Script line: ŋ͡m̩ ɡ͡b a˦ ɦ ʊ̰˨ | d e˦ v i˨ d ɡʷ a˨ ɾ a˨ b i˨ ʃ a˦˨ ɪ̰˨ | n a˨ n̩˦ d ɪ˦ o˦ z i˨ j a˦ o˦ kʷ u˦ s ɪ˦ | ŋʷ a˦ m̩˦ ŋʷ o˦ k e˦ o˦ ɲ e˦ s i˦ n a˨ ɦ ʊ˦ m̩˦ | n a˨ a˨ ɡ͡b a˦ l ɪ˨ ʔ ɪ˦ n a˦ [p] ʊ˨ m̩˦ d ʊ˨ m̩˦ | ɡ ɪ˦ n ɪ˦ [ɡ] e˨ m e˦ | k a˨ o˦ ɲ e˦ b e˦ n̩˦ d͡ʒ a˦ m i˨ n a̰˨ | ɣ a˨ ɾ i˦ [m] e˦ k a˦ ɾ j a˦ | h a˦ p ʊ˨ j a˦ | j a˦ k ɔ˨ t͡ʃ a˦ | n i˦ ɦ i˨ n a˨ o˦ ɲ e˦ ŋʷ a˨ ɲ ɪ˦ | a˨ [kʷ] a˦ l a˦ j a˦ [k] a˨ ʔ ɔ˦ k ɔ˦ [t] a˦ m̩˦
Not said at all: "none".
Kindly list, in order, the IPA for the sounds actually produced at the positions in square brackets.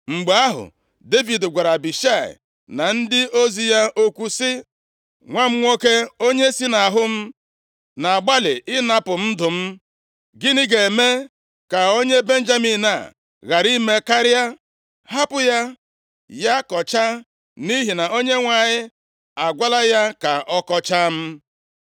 p, ɡ, m, ɡʷ, k, t͡ʃ

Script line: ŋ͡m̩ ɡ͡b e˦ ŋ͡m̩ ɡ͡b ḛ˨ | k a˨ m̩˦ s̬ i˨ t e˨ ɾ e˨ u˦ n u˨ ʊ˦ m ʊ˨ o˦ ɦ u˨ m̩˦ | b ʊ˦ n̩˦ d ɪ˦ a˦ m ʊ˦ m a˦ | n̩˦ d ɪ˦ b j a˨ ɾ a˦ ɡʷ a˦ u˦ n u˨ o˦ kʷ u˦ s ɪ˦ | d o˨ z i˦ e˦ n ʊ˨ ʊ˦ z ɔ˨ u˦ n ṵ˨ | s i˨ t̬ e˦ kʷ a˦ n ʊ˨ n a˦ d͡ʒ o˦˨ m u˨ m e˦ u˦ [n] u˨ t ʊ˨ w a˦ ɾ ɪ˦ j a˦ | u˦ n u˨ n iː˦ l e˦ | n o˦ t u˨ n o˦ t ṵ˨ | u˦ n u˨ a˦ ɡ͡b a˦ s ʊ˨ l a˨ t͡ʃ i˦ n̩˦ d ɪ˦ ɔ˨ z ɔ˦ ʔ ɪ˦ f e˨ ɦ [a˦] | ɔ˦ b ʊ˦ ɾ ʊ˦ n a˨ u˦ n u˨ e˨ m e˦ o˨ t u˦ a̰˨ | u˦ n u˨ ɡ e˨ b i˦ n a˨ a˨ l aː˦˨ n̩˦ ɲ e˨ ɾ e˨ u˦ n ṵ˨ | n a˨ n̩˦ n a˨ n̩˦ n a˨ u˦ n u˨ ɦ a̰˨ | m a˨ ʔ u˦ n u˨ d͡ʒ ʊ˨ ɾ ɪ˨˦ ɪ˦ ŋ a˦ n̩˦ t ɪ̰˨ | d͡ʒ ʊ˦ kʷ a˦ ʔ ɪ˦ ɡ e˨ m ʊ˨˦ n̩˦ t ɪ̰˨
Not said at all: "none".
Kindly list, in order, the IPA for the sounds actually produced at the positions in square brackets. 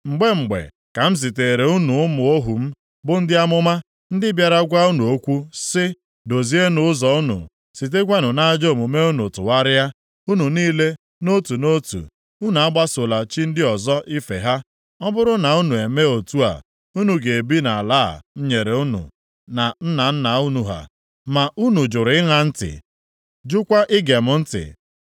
n, a˦

